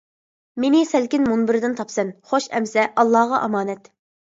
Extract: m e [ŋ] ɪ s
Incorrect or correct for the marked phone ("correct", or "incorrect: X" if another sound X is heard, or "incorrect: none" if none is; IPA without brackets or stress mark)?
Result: incorrect: n